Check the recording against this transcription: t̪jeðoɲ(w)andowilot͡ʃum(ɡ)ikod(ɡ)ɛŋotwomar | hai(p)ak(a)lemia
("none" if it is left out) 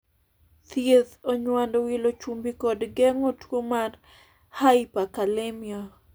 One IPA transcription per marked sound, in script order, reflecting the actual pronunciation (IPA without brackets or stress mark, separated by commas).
w, b, ɡ, p, a